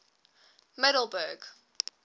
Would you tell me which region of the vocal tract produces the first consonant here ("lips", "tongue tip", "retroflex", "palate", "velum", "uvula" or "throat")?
lips